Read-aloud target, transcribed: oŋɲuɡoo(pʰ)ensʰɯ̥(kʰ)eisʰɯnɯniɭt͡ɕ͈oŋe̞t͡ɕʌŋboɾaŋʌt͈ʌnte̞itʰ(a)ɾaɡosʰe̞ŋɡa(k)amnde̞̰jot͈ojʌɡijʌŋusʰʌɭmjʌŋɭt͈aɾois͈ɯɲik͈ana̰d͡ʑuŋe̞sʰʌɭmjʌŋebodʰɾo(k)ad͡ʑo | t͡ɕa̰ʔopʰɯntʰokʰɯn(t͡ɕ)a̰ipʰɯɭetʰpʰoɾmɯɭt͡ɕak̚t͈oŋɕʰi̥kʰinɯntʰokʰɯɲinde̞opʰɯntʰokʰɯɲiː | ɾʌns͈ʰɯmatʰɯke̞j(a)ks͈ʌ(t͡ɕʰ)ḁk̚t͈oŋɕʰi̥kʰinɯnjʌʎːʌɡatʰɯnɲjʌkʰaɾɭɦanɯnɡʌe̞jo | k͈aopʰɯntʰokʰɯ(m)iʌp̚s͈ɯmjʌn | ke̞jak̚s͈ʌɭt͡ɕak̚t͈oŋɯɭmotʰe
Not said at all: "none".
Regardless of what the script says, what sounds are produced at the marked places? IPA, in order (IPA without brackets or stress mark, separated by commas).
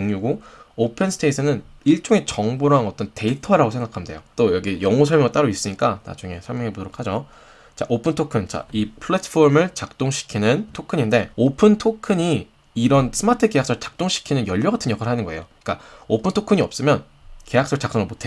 pʰ, tʰ, ʌ, kʰ, kʰ, t͡ɕ, a, t͡ɕ, ɲ